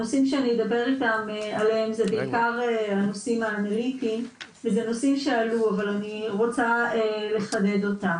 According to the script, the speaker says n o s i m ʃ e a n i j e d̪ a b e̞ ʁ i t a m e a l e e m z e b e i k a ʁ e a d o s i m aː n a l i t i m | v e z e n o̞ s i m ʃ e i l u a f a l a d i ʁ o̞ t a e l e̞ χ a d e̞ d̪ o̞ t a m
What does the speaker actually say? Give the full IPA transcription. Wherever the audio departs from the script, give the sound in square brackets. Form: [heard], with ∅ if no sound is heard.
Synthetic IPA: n o s i m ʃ e a n i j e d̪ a b e̞ ʁ i t a m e a l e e m z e b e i k a ʁ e a [n] o s i m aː n a l i t i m | v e z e n o̞ s i m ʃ e [a] l u a [v] a l a [n] i ʁ o̞ [t͡s] a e l e̞ χ a d e̞ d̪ o̞ t a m